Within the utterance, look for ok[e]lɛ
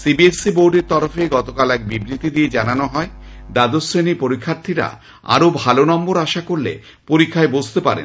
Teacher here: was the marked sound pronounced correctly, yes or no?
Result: no